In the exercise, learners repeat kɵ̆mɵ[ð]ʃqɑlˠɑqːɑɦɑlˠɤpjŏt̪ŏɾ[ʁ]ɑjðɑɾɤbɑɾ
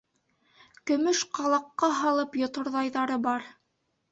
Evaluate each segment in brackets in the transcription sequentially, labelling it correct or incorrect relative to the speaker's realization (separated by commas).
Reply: incorrect, incorrect